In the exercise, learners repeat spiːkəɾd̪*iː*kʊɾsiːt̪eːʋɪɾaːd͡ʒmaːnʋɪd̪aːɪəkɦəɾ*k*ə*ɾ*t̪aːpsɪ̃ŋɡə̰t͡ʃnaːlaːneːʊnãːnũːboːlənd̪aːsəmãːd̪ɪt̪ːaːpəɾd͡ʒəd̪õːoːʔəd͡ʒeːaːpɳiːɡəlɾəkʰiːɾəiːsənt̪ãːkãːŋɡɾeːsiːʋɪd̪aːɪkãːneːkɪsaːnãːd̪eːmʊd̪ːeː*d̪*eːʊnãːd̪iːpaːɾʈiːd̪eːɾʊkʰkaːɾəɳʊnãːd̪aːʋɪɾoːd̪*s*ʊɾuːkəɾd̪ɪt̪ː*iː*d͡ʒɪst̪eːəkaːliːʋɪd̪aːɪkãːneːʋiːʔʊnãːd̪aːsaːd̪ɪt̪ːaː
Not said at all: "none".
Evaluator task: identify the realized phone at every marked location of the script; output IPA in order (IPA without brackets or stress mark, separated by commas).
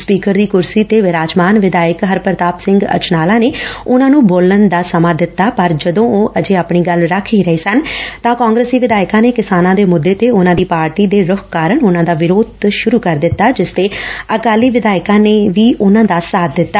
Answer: iː, p, ɾ, t̪, ʃ, aː